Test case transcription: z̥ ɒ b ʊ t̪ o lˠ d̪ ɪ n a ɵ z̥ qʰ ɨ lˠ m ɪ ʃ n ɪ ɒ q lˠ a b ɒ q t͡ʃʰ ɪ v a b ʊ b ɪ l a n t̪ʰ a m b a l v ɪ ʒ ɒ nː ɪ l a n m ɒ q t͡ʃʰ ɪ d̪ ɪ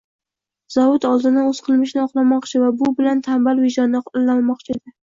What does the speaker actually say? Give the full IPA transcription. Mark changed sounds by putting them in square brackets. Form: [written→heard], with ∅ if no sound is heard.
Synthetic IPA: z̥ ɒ [b→v] ʊ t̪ [o→ɒ] lˠ d̪ ɪ n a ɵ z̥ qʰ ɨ lˠ m ɪ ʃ n ɪ ɒ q lˠ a [b→m] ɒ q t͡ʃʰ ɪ v a b ʊ b ɪ l a n t̪ʰ a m b a l v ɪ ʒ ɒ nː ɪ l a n m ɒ q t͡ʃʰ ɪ d̪ ɪ